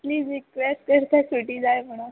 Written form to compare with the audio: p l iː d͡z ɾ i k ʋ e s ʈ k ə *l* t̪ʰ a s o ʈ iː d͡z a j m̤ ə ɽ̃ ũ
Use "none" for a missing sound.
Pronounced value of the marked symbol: ɾ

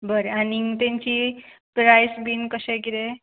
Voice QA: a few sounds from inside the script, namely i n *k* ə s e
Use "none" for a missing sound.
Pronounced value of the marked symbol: k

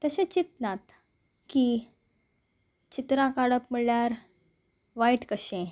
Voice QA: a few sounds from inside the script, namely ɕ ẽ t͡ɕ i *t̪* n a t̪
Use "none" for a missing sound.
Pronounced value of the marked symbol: t̪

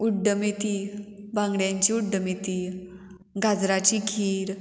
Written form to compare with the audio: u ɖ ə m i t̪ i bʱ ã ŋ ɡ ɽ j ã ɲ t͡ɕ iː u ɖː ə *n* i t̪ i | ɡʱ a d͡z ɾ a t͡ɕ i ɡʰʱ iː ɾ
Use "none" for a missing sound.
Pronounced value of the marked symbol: m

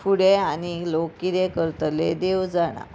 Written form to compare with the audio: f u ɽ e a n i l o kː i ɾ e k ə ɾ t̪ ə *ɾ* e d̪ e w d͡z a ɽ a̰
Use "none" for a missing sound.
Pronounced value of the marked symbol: l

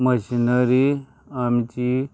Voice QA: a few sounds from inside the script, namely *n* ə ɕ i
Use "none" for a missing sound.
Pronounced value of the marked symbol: m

